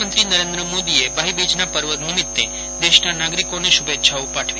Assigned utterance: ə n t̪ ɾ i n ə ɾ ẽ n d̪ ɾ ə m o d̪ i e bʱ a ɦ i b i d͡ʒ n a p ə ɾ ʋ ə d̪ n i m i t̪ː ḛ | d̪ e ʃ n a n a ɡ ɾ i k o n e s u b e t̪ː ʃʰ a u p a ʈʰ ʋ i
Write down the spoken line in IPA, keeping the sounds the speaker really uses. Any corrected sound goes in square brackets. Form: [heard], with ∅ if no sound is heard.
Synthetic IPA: ə n t̪ ɾ i n ə ɾ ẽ n d̪ ɾ ə m o d̪ i e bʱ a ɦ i b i d͡ʒ n a p ə ɾ ʋ ə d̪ n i m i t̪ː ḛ | d̪ e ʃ n a n a ɡ ɾ i k o n e [ʃ] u b e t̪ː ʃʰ a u p a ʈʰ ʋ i